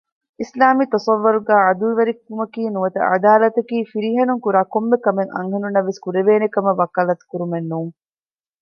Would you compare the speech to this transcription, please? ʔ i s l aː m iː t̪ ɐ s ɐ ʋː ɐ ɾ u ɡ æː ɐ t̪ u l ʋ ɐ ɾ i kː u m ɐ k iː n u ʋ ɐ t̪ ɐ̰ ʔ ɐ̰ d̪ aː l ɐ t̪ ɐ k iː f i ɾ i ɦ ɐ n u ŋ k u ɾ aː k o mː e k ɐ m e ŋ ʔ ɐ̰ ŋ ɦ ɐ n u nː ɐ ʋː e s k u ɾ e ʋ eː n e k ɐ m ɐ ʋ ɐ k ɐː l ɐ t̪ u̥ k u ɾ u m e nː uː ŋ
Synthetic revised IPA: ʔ i s l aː m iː t̪ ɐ s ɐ ʋː ɐ ɾ u ɡ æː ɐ d̪ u l ʋ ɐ ɾ i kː u m ɐ k iː n u ʋ ɐ t̪ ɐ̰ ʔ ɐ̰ d̪ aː l ɐ t̪ ɐ k iː f i ɾ i ɦ ɐ n u ŋ k u ɾ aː k o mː e k ɐ m e ŋ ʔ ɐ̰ ŋ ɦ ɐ n u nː ɐ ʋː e s k u ɾ e ʋ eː n e k ɐ m ɐ ʋ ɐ k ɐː l ɐ t̪ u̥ k u ɾ u m e nː uː ŋ